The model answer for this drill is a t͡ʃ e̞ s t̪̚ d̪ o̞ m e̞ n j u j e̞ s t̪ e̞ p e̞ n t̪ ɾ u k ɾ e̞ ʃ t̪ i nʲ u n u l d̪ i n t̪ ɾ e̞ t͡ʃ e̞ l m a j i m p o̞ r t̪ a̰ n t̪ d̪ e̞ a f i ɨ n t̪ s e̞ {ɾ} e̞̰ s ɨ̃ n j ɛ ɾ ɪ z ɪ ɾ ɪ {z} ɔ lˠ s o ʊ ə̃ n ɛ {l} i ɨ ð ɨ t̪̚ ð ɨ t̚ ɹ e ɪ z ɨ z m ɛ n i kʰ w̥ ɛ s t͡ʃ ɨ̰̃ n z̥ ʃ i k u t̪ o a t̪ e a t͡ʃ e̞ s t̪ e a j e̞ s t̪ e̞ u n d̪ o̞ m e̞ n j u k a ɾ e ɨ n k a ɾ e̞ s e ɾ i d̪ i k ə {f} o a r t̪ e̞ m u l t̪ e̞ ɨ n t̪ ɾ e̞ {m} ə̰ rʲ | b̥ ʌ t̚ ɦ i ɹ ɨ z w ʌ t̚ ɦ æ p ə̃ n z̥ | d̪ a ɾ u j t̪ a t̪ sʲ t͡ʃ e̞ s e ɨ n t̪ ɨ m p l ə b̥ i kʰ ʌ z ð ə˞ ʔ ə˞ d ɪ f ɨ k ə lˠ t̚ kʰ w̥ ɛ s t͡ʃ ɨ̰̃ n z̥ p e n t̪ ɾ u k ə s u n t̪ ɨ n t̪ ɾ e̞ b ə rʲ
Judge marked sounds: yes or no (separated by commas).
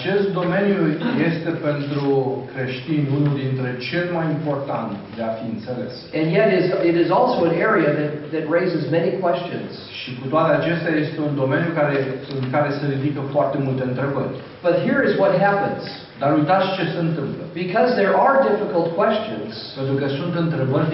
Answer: no, yes, no, yes, no